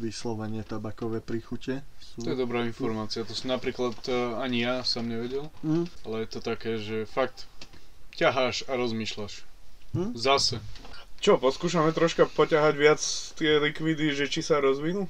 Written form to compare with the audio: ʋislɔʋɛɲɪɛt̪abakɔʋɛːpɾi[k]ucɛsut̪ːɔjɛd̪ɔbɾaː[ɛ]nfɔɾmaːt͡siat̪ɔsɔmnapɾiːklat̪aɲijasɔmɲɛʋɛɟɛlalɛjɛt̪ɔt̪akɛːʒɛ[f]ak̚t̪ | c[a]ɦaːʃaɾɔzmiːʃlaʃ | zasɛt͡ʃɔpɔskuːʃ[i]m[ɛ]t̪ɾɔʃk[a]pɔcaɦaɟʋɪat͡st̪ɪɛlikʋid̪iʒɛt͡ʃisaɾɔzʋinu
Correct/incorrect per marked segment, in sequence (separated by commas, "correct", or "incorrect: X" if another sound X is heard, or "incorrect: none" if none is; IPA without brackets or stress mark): incorrect: x, incorrect: i, correct, correct, incorrect: a, correct, correct